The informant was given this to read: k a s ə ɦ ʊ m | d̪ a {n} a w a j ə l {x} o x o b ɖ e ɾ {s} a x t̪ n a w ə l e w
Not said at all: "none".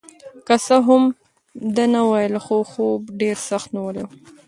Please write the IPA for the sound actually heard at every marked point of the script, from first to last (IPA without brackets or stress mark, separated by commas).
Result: n, x, s